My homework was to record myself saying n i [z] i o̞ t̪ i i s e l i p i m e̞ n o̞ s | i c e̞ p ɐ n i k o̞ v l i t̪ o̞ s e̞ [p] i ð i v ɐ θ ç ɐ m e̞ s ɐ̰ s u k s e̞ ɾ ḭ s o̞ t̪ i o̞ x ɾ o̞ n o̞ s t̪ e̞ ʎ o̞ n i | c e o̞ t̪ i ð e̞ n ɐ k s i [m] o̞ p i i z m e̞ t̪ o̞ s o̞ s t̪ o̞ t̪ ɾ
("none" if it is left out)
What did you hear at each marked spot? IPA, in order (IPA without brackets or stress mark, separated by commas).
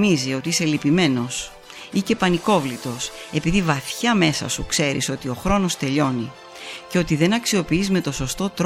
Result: z, p, none